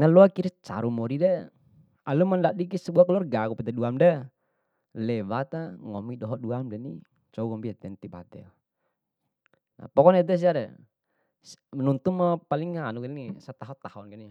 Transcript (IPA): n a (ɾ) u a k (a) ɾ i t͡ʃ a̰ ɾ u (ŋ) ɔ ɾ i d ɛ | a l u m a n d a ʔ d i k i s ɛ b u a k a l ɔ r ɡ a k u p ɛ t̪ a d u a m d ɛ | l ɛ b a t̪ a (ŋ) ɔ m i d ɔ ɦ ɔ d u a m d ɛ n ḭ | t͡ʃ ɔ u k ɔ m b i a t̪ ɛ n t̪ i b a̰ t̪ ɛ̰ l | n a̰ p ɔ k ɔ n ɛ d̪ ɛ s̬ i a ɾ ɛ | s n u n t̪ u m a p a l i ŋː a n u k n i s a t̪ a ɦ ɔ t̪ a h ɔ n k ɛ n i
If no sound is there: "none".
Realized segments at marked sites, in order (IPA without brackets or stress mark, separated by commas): l, i, m, ŋ